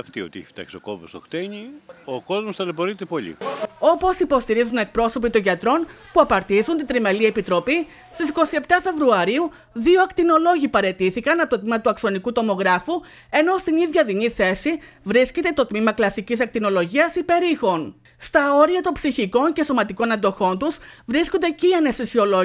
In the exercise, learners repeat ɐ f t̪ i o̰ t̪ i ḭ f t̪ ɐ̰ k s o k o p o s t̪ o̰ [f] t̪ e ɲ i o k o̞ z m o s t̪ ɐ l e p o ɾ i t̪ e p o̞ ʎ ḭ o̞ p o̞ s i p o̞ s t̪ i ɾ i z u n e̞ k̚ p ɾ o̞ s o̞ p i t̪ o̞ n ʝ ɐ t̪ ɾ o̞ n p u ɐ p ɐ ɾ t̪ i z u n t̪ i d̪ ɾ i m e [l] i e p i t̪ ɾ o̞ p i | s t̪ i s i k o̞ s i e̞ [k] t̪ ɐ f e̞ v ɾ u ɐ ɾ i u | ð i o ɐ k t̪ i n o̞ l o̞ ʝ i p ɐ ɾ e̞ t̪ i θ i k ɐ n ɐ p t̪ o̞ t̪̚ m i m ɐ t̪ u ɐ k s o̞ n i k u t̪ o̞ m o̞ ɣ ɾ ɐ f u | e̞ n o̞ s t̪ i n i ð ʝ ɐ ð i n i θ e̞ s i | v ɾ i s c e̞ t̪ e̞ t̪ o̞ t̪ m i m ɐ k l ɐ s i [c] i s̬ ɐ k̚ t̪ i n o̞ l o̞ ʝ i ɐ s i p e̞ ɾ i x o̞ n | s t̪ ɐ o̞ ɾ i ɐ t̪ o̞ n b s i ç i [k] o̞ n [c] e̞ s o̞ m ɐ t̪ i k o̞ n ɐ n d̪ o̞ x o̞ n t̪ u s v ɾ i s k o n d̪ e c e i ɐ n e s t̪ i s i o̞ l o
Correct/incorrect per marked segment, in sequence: incorrect: x, correct, incorrect: p, correct, correct, correct

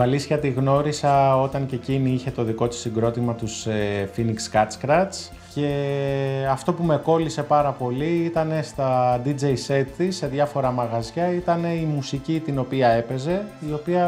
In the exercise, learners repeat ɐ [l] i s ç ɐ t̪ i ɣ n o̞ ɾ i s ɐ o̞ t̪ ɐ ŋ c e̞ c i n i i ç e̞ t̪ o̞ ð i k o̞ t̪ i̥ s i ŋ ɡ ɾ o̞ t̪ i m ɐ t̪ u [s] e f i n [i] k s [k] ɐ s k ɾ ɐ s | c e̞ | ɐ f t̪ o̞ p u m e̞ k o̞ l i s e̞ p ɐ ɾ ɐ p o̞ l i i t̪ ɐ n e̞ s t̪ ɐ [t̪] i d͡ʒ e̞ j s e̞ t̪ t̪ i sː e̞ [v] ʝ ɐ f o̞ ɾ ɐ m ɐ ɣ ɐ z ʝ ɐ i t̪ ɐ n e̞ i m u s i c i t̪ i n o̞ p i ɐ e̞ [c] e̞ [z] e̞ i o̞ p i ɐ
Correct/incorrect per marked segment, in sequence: correct, correct, correct, correct, incorrect: d̪, incorrect: ð, incorrect: p, correct

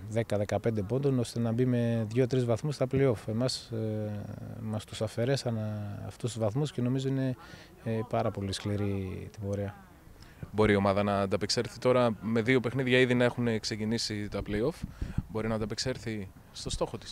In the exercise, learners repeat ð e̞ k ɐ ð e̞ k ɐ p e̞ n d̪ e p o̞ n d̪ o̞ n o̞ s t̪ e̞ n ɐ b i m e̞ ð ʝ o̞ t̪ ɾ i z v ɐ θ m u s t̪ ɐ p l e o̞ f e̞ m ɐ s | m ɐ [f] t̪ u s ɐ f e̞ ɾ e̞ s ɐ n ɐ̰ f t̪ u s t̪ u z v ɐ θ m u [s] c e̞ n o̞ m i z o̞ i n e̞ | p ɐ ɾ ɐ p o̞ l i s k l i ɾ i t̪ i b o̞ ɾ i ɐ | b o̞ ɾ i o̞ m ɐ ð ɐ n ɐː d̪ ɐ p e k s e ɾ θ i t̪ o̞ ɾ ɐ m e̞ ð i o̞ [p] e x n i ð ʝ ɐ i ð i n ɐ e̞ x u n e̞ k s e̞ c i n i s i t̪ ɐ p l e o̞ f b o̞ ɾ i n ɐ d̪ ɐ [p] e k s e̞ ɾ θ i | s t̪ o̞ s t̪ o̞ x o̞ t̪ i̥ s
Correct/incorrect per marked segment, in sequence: incorrect: s, correct, correct, correct

